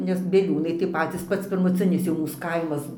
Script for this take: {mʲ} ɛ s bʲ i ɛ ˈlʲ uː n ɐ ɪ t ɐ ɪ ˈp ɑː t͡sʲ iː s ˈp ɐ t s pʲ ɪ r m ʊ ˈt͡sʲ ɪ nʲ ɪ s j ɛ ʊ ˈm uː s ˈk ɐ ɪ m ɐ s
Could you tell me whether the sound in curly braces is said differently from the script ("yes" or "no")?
yes